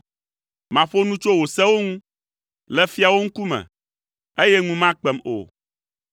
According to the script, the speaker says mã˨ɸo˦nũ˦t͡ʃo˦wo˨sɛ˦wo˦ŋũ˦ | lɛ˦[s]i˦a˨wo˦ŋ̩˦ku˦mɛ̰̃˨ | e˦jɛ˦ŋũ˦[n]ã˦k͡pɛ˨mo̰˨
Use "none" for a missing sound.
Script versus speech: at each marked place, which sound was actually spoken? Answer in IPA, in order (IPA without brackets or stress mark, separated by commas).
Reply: f, m